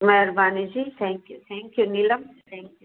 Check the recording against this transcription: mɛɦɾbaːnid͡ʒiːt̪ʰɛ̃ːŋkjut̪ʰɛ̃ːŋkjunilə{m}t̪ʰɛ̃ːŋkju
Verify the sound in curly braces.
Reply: correct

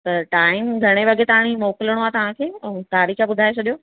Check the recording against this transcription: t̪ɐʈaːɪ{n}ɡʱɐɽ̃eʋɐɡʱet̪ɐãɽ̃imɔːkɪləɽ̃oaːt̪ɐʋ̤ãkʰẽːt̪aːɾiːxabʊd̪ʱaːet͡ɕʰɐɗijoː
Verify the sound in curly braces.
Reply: incorrect: m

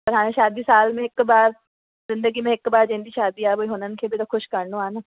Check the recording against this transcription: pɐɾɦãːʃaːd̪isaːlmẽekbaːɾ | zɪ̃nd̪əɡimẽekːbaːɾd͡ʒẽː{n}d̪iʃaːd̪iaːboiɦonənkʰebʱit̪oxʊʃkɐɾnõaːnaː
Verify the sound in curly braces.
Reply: correct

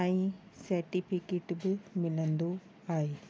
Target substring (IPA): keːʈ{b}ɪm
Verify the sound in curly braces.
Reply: correct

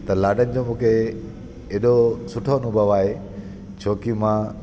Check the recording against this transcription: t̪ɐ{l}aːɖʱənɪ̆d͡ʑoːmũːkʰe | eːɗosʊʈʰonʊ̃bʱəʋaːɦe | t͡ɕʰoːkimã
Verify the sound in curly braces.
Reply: correct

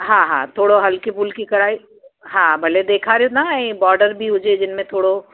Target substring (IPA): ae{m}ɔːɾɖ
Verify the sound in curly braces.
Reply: incorrect: b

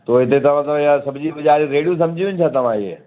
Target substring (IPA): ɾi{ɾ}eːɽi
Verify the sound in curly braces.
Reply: correct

